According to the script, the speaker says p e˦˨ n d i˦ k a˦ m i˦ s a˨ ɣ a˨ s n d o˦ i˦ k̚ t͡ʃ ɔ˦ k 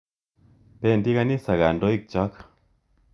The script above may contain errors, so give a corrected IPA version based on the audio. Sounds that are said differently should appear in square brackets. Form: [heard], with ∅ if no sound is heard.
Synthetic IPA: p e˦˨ n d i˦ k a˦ [n] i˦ s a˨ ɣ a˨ [∅] n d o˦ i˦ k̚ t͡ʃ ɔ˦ k